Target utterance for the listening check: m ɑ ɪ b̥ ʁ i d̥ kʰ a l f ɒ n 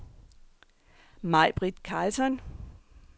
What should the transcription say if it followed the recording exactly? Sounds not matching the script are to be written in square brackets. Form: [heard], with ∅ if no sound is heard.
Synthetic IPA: m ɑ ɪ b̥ ʁ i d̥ kʰ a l [s] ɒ n